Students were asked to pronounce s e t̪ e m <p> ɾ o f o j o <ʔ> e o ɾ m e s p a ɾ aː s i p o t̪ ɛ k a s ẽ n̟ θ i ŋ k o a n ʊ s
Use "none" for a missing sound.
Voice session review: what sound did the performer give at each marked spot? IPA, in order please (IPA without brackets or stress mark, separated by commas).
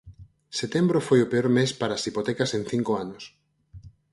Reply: b, p